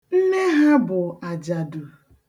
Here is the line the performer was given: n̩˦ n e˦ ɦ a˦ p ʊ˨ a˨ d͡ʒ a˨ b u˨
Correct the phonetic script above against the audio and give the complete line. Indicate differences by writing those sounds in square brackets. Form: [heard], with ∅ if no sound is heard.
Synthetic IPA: n̩˦ n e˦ ɦ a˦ [b] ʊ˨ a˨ d͡ʒ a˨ [d] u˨